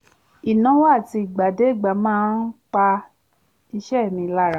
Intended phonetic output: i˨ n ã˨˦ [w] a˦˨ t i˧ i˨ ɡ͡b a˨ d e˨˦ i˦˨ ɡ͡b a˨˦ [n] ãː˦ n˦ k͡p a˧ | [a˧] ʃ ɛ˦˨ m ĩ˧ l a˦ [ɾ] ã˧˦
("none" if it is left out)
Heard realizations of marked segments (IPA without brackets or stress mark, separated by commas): w, m, i˧, ɾ